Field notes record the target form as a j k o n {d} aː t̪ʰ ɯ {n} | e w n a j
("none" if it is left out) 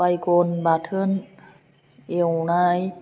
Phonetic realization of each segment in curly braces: b, n

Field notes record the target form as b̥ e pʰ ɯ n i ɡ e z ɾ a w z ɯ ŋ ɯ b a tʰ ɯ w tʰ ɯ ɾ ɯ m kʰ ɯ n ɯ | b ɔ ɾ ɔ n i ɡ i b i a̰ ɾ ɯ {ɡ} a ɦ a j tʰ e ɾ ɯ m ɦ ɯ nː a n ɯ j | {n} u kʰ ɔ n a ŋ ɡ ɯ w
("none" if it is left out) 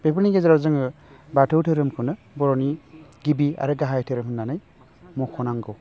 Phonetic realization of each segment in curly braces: ɡ, m

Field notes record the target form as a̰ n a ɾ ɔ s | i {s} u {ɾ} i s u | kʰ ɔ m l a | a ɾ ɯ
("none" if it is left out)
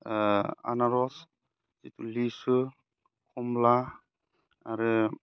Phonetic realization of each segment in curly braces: t, l

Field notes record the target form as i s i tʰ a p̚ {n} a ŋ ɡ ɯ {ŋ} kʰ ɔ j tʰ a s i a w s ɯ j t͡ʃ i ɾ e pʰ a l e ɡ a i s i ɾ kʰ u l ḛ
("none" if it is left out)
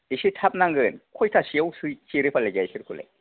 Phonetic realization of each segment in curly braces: n, n

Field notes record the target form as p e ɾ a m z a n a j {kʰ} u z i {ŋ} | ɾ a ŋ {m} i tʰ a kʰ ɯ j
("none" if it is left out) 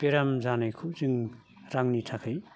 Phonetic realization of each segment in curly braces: kʰ, ŋ, n

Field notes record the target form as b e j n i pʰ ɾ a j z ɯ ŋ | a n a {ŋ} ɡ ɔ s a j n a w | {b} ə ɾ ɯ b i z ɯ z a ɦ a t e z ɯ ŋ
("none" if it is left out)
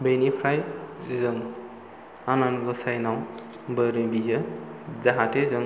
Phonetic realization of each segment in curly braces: n, b

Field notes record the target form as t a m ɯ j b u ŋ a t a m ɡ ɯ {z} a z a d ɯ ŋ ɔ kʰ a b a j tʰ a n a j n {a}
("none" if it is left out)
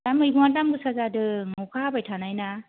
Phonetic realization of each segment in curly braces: s, a

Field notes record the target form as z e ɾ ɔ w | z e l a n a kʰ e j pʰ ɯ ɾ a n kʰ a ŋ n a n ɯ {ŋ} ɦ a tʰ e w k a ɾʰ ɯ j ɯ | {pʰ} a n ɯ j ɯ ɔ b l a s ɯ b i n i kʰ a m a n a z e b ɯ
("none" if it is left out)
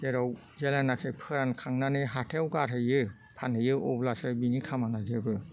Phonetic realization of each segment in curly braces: none, pʰ

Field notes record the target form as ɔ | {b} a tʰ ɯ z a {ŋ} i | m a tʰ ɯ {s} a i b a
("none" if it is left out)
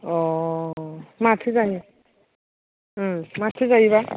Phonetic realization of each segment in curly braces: m, n, z

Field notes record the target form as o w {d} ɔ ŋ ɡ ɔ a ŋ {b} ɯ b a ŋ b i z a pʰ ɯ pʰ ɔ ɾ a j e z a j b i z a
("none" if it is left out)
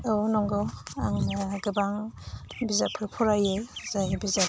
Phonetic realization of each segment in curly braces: n, ɡ

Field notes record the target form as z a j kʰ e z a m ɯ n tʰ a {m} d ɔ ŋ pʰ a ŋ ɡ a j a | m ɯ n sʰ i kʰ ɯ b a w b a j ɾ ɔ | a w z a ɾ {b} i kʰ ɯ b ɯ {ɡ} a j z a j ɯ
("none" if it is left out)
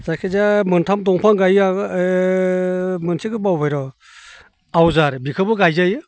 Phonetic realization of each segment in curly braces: m, b, ɡ

